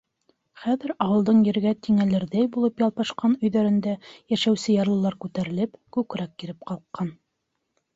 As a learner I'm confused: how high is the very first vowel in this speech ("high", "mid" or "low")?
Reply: low